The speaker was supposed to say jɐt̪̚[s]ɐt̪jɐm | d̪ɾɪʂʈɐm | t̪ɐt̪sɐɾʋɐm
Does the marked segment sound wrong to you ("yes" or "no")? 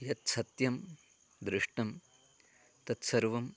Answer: no